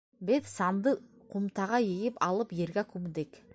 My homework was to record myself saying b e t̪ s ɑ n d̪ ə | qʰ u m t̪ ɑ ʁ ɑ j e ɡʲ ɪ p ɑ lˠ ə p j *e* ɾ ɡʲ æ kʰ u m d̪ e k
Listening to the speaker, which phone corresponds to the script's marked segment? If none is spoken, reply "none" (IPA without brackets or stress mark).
e